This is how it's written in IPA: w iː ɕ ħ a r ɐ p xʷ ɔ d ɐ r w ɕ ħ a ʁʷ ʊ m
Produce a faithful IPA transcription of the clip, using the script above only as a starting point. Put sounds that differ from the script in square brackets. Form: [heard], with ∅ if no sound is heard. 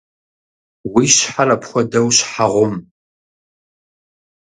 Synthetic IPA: w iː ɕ ħ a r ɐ p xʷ ɔ d ɐ [∅] w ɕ ħ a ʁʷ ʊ m

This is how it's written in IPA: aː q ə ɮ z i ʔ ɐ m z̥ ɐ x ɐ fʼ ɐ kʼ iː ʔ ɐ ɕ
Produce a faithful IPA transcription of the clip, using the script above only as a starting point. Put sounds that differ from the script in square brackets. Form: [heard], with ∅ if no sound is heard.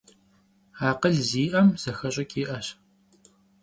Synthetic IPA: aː q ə ɮ z [iː] ʔ ɐ m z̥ ɐ x ɐ [ɕʼ] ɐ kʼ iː ʔ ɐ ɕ

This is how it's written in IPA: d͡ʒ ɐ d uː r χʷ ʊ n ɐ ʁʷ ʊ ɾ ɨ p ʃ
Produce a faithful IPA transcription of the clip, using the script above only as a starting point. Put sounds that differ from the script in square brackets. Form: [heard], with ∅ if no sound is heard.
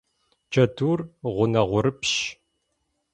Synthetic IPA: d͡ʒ ɐ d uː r [ʁʷ] ʊ n ɐ ʁʷ ʊ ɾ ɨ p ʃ

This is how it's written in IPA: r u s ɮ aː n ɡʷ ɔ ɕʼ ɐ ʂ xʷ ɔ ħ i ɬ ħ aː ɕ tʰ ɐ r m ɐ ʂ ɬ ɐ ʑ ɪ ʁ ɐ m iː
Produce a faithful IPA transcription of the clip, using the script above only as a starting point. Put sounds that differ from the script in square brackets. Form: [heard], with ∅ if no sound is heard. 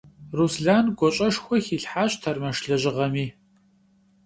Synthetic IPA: r u s ɮ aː n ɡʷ ɔ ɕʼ ɐ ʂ xʷ ɔ [x] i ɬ ħ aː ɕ tʰ ɐ r m ɐ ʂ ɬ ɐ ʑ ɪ ʁ ɐ m iː

